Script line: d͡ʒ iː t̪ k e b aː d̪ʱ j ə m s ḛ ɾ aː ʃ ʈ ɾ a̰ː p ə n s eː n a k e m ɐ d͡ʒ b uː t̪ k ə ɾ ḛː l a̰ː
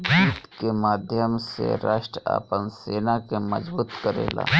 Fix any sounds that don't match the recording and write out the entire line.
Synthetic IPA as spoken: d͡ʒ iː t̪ k e m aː d̪ʱ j ə m s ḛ ɾ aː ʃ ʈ ɾ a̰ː p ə n s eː n a k e m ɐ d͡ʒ b uː t̪ k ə ɾ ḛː l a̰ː